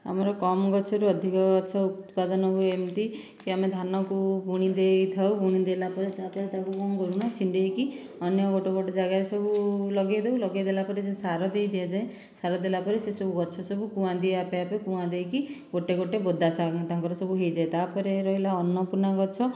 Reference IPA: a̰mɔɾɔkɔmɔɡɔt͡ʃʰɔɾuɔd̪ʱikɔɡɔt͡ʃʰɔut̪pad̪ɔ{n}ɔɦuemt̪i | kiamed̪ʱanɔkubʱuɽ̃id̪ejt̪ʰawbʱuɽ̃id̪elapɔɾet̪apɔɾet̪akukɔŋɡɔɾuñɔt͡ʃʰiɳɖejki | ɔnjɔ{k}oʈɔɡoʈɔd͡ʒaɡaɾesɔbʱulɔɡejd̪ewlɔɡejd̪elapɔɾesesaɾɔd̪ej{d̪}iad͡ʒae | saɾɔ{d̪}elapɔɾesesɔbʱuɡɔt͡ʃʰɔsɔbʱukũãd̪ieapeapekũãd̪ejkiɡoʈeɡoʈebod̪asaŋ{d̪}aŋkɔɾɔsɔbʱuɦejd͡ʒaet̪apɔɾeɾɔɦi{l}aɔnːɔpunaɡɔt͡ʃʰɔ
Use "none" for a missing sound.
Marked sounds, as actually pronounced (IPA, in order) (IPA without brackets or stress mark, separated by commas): n, ɡ, d̪, d̪, t̪, l